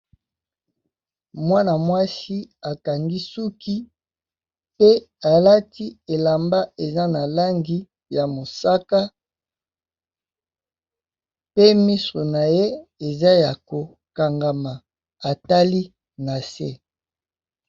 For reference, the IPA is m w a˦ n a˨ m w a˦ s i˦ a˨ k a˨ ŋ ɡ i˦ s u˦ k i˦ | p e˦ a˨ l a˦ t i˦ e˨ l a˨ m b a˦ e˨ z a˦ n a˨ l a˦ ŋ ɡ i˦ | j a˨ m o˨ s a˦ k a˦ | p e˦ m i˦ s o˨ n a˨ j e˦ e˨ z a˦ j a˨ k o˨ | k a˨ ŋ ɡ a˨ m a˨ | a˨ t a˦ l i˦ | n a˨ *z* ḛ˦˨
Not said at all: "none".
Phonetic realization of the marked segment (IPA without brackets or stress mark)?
s